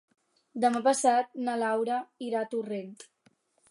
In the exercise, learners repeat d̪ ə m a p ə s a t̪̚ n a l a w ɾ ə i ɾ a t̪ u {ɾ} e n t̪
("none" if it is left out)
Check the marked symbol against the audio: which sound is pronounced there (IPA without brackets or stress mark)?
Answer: r